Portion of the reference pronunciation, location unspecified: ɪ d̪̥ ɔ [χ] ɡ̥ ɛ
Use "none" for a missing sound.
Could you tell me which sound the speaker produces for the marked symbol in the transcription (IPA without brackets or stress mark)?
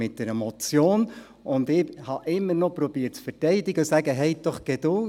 χ